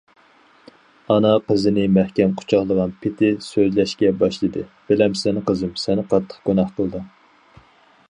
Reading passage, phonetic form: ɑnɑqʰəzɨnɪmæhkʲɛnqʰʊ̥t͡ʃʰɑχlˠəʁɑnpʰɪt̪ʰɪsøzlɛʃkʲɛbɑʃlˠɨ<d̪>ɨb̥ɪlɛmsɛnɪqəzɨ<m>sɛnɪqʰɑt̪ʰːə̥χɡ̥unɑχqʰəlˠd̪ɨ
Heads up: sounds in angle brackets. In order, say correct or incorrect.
correct, correct

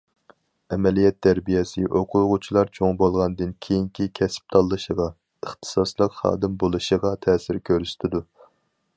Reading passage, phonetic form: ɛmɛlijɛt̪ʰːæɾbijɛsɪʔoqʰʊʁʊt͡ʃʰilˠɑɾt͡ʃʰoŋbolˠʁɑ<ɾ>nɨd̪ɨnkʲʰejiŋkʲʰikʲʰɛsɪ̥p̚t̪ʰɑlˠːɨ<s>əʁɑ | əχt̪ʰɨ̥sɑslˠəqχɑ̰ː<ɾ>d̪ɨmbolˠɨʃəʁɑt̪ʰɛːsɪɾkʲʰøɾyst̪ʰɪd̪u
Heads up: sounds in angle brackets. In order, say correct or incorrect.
incorrect, incorrect, incorrect

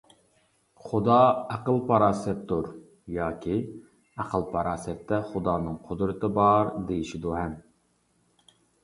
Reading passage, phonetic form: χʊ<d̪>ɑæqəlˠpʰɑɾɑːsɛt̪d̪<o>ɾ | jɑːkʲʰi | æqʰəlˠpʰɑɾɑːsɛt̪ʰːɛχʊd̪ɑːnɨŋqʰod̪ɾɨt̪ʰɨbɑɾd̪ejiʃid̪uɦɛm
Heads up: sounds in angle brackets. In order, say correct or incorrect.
correct, incorrect

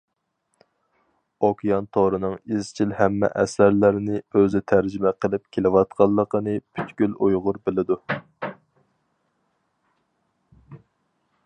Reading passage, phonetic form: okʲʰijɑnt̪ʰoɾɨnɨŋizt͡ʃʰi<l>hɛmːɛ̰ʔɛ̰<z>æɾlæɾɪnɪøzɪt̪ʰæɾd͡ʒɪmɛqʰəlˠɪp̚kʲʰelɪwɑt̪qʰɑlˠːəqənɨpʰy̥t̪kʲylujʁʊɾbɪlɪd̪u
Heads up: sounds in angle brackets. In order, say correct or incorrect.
correct, incorrect

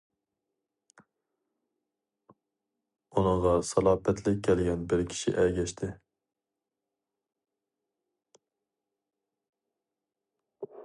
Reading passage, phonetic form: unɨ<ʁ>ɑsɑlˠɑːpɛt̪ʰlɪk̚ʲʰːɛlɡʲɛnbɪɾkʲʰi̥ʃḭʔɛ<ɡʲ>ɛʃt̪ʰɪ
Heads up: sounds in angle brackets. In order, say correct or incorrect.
correct, correct

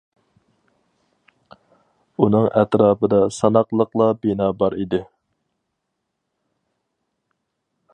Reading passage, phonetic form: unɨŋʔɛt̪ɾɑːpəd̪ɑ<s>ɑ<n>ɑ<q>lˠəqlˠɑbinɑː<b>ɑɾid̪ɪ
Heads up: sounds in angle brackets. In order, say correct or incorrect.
correct, correct, correct, correct

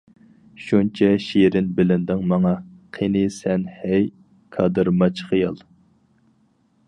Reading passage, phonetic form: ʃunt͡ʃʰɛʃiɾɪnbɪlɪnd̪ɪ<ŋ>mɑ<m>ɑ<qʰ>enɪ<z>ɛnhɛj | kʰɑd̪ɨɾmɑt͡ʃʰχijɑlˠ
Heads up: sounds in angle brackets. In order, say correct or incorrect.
correct, incorrect, correct, incorrect

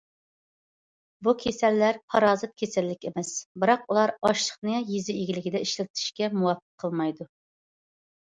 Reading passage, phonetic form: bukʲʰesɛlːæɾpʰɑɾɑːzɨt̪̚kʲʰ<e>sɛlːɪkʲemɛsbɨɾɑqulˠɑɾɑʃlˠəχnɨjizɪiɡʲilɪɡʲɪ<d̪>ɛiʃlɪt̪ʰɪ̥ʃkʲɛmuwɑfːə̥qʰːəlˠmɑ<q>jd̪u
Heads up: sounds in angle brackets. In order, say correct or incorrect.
correct, correct, incorrect

